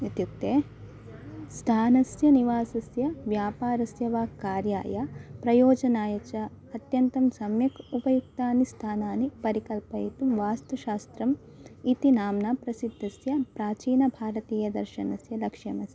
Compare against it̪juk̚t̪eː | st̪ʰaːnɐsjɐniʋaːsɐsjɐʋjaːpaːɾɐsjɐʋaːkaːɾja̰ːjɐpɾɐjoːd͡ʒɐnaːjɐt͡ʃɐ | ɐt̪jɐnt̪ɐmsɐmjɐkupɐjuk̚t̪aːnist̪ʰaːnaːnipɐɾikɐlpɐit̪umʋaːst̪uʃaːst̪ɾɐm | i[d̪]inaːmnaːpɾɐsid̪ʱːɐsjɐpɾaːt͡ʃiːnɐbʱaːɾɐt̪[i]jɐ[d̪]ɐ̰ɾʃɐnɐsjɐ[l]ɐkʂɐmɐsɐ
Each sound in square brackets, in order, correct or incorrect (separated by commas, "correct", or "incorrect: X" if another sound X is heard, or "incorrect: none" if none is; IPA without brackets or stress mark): incorrect: t̪, incorrect: iː, correct, correct